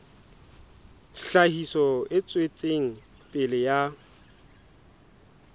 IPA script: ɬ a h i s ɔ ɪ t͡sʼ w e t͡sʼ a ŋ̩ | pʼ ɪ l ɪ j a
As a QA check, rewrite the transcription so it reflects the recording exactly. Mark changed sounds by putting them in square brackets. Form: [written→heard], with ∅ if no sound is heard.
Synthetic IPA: ɬ a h i s ɔ ɪ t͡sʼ w e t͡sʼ [a→e] ŋ̩ | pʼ ɪ l ɪ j a